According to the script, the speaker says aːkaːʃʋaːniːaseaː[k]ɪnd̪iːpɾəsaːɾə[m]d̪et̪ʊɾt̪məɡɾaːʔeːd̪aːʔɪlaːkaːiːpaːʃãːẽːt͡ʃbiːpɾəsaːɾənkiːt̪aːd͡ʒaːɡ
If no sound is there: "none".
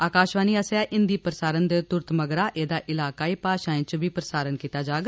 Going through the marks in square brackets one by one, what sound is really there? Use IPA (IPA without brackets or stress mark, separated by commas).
ʔ, n